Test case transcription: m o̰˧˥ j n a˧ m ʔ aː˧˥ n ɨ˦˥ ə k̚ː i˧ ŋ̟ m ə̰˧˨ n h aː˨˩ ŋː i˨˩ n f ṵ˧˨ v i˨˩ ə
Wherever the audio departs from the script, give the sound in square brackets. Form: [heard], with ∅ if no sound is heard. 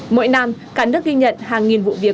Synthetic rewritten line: m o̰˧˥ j n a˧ m [k] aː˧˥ n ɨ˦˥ ə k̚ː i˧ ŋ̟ [ɲ] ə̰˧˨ n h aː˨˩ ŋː i˨˩ n [v] ṵ˧˨ v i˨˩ ə